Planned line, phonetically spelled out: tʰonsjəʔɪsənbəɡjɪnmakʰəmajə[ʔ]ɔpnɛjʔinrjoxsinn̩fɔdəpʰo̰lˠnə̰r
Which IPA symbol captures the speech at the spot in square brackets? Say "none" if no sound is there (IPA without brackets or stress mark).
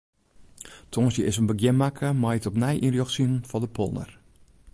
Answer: t